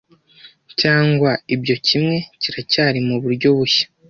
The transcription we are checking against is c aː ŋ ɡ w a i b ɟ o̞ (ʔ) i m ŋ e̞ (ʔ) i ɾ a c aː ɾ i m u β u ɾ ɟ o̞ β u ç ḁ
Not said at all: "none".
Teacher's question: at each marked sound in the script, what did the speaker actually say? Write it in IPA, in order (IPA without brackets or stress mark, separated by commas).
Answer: c, c